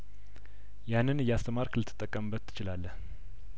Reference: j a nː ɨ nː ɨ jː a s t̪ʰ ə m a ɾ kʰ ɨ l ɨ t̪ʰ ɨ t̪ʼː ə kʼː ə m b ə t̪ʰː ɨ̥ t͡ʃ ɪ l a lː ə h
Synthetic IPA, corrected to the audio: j a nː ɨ n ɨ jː a s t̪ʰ ə m a ɾ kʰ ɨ l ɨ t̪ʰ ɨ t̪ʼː ə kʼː ə m b ə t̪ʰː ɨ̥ t͡ʃ ɪ l a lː ə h